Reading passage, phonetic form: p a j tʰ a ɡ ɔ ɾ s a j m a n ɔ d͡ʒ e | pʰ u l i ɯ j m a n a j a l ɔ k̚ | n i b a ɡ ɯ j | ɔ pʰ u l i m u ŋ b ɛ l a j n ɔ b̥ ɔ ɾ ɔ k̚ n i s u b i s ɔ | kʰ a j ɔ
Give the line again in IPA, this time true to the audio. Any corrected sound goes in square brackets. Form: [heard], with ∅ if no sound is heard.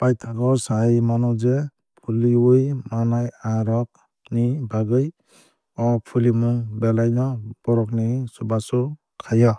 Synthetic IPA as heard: p a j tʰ a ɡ ɔ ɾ s a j m a n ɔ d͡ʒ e | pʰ u l i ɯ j m a n a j a [ɾ] ɔ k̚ | n i b a ɡ ɯ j | ɔ pʰ u l i m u ŋ b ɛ l a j n ɔ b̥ ɔ ɾ ɔ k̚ n i s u b [a] s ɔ | kʰ a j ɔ

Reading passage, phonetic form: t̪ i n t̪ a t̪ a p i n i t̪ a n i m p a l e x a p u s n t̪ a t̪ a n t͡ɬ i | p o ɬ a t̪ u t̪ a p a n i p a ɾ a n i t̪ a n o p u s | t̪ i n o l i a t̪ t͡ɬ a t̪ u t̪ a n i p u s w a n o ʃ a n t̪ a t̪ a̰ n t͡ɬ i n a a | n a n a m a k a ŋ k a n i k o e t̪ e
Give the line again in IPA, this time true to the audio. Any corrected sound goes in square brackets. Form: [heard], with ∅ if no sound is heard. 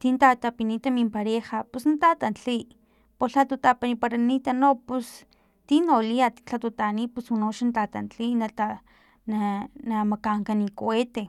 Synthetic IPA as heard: t̪ i n t̪ a t̪ a p i n i t̪ a [m] i m p a [ɾ] e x a p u s n t̪ a t̪ a n t͡ɬ i | p o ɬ a t̪ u t̪ a p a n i p a ɾ a n i t̪ a n o p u s | t̪ i n o l i a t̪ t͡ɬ a t̪ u t̪ a n i p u s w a n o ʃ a n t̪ a t̪ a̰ n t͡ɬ i n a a | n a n a m a k a ŋ k a n i k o e t̪ e

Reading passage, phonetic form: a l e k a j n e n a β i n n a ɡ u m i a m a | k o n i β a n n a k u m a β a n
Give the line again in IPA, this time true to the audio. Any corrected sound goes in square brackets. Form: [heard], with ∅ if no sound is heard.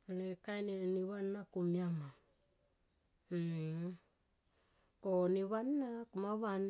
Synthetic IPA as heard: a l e k a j n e n [i] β [a] n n a [k] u m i a m a | k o n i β a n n a k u m a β a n

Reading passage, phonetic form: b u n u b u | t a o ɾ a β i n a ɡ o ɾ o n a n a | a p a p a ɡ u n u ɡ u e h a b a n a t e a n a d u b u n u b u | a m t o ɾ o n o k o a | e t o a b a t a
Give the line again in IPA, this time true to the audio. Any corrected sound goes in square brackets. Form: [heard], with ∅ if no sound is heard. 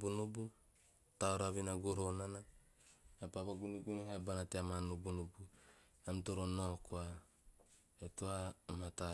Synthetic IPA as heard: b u n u b u | t a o ɾ a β i n a ɡ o ɾ o n a n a | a p a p a ɡ u n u ɡ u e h a b a n a t e a [m] a [n] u b u n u b u | a m t o ɾ o n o k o a | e t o a [m] a t a

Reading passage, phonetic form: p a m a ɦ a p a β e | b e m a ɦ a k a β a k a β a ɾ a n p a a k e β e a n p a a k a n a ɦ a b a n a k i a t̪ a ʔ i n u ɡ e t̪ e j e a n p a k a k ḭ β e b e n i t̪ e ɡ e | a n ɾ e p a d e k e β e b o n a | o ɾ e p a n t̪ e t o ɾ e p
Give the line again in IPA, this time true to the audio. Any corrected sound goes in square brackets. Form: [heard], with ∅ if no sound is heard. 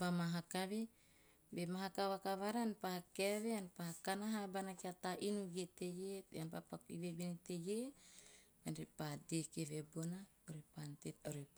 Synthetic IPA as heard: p a m a ɦ a [k] a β e | b e m a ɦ a k a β a k a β a ɾ a n p a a k e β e a n p a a k a n a ɦ a b a n a k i a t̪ a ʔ i n u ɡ e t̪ e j e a n p a [p] a k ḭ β e b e n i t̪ e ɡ e | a n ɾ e p a d e k e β e b o n a | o ɾ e p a n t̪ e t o ɾ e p

